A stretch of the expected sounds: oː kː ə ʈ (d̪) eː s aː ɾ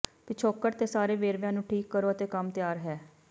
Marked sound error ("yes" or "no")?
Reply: yes